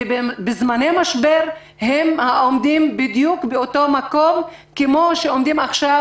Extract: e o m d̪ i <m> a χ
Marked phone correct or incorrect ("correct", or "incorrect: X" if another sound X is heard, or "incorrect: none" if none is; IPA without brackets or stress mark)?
correct